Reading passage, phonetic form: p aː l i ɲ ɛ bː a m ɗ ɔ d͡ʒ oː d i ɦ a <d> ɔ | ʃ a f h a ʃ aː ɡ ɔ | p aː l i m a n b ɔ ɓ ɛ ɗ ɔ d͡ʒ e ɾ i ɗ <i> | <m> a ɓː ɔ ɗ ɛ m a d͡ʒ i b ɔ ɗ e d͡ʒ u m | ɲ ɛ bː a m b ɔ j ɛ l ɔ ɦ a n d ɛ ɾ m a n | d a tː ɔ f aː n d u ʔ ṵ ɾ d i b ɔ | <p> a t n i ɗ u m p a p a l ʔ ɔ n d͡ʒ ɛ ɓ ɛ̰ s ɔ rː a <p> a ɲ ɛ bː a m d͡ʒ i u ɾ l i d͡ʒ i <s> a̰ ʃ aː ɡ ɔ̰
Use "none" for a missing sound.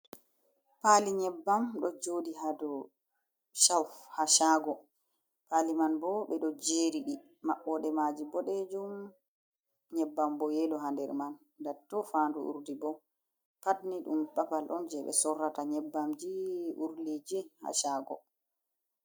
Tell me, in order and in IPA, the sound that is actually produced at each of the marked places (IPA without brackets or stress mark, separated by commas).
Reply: d, i, m, p, t, h